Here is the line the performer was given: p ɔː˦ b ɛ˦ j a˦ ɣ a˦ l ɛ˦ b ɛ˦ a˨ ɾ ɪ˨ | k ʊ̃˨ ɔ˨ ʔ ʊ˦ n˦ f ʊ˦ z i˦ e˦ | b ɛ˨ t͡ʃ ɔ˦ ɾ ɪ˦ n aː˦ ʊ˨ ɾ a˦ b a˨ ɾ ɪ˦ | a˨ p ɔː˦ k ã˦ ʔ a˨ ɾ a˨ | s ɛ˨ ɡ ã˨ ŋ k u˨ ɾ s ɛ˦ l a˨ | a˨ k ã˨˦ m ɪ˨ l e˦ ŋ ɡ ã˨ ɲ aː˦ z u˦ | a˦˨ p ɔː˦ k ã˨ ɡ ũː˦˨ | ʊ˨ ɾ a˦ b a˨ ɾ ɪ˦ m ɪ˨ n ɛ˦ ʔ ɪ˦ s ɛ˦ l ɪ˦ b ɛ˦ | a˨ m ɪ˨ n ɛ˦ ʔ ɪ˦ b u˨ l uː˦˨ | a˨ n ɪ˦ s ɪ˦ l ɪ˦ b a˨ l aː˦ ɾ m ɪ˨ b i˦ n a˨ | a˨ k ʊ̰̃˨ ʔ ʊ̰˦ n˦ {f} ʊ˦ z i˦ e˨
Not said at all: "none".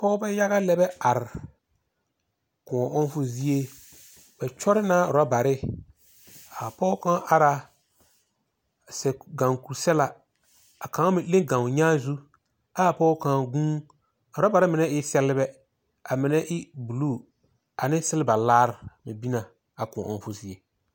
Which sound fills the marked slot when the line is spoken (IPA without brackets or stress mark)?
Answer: f